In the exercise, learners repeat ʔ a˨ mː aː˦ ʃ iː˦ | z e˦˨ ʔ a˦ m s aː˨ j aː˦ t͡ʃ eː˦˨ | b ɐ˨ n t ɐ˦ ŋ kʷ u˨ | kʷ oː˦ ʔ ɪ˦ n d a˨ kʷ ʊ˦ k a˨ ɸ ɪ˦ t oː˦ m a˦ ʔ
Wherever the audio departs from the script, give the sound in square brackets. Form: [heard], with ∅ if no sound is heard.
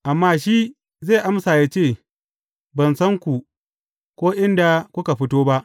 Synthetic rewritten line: ʔ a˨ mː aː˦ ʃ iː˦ | z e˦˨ ʔ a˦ m s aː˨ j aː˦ t͡ʃ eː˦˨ | b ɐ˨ n [s] ɐ˦ ŋ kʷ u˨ | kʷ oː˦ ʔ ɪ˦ n d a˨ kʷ ʊ˦ k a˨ ɸ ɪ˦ t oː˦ [b] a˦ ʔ